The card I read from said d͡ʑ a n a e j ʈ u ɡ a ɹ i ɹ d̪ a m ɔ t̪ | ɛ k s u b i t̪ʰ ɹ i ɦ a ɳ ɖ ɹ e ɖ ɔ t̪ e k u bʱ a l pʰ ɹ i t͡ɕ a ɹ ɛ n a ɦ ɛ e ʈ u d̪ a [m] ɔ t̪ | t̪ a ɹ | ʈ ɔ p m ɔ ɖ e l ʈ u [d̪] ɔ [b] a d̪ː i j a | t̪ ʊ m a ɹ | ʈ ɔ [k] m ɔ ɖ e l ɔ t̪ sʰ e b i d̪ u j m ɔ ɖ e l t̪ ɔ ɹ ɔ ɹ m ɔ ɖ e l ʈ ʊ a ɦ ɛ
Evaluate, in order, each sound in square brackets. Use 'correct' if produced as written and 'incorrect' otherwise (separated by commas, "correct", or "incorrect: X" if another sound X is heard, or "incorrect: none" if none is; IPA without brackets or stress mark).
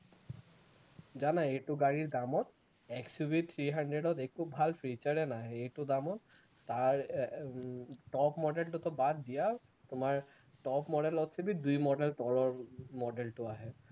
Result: correct, incorrect: t̪, correct, incorrect: p